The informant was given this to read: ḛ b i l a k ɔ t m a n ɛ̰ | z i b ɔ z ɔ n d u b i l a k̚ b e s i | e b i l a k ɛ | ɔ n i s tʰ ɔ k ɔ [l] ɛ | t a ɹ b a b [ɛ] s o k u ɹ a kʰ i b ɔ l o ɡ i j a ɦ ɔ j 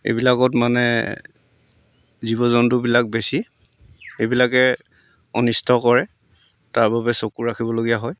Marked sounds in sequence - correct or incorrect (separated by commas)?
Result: incorrect, correct